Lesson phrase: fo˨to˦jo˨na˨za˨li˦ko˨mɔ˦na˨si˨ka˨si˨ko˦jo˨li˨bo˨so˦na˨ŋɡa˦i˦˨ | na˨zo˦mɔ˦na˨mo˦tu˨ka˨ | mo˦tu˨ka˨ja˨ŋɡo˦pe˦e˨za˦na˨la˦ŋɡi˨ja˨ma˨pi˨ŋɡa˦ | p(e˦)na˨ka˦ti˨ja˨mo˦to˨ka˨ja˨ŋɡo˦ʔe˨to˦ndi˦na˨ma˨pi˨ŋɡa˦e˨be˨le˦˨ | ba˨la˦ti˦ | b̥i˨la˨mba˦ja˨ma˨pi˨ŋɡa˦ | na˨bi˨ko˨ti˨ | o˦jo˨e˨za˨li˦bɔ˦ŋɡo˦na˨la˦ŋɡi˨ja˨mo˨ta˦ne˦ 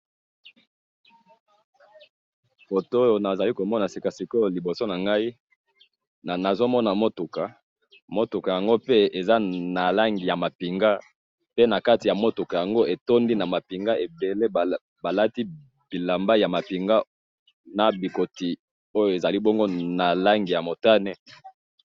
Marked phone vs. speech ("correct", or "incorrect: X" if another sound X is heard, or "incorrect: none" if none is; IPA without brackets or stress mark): correct